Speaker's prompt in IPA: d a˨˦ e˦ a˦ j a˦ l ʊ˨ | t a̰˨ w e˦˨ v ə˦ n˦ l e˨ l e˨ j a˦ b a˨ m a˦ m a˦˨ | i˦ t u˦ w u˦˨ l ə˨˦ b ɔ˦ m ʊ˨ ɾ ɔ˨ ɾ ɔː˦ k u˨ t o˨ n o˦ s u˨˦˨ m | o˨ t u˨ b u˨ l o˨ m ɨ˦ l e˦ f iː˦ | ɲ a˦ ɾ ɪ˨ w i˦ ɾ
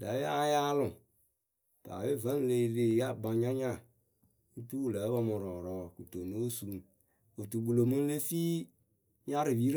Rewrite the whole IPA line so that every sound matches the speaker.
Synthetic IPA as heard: d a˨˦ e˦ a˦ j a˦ l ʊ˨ | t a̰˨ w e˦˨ v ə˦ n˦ l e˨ l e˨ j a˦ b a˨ ɲ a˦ ɲ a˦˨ | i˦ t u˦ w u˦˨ l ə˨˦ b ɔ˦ m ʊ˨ ɾ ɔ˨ ɾ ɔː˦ k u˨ t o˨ n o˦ s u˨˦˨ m | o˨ t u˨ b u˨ l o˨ m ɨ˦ l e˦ f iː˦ | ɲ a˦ ɾ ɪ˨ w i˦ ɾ